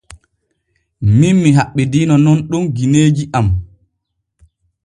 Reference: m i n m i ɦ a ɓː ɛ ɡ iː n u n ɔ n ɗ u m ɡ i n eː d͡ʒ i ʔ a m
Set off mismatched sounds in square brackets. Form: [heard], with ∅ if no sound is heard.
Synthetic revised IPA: m i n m i ɦ a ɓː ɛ [d] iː n [ɔ] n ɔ n ɗ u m ɡ i n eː d͡ʒ i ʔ a m